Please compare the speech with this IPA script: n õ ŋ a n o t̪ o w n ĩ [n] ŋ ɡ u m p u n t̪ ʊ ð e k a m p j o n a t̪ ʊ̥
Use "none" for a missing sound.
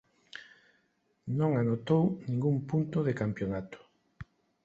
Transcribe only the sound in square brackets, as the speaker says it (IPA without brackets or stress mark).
none